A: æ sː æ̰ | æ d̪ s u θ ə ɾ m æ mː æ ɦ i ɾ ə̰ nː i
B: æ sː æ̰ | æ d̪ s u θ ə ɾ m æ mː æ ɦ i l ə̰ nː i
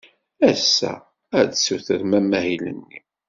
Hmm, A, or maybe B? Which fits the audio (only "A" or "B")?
B